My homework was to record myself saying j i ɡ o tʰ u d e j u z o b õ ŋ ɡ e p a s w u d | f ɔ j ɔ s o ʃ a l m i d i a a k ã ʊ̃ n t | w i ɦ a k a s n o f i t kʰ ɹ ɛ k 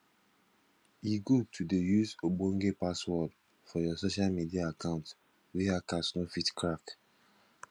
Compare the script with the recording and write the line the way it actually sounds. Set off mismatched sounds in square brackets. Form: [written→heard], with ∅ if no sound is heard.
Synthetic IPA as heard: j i ɡ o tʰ u d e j u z o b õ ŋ ɡ e p a s w [u→ɔ] d | f ɔ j ɔ s o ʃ a l m i d i a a k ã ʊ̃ n t | w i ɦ a k a s n o f i t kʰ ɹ [ɛ→a] k